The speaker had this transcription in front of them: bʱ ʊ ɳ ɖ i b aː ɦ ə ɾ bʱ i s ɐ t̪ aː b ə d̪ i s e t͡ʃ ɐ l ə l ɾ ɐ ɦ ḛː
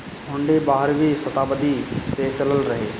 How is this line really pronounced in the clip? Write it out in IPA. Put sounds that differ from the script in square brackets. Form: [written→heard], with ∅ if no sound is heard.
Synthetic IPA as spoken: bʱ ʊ ɳ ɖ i b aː ɦ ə ɾ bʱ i s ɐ t̪ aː b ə d̪ i s e t͡ʃ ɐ l ə l ɾ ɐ ɦ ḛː